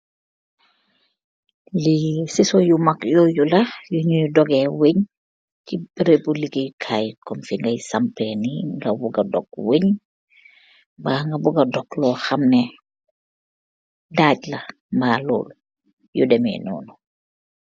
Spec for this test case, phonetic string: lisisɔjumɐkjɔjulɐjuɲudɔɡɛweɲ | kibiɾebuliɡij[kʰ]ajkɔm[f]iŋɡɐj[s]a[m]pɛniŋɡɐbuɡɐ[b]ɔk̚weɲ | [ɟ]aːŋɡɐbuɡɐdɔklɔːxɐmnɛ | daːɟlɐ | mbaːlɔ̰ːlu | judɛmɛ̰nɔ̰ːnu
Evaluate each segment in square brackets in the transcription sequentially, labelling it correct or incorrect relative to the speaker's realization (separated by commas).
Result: correct, correct, correct, correct, incorrect, incorrect